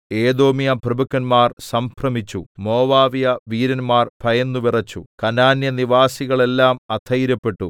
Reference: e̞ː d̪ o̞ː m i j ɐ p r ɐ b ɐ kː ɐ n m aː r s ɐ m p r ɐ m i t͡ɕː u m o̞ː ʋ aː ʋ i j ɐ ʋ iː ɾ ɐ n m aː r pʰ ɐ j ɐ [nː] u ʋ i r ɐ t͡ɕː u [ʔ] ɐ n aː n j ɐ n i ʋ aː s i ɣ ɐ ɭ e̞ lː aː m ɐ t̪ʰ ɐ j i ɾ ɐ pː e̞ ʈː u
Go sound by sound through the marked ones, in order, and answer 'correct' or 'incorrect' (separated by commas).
correct, incorrect